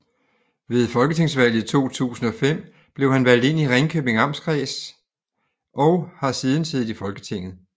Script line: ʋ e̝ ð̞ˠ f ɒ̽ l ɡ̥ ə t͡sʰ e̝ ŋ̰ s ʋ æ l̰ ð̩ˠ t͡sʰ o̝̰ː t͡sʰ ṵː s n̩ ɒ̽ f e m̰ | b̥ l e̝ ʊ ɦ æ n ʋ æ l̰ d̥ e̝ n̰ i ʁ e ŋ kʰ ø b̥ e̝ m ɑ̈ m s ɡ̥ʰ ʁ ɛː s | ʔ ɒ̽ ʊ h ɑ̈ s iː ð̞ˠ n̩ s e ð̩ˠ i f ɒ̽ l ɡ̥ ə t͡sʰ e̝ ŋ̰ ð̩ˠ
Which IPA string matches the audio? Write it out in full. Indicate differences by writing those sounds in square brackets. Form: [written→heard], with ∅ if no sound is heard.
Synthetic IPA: ʋ e̝ ð̞ˠ f ɒ̽ l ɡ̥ ə t͡sʰ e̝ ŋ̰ s ʋ æ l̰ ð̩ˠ t͡sʰ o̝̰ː t͡sʰ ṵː s n̩ ɒ̽ f e m̰ | b̥ l e̝ ʊ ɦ æ n ʋ æ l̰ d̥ e̝ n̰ i ʁ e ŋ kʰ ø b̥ e̝ [m→ŋ] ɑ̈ m s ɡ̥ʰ ʁ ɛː s | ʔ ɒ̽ ʊ h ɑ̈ s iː ð̞ˠ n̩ s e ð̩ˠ i f ɒ̽ l ɡ̥ ə t͡sʰ e̝ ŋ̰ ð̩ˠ